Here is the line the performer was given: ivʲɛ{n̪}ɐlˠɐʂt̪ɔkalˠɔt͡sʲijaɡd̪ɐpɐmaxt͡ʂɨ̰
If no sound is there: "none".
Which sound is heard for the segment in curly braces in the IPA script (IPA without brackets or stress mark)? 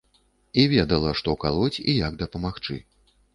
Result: d̪